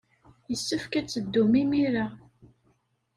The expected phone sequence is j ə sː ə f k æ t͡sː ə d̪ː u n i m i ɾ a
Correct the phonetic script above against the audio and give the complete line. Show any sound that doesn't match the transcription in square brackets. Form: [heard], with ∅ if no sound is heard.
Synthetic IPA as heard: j ə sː ə f k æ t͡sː ə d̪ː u [m] i m i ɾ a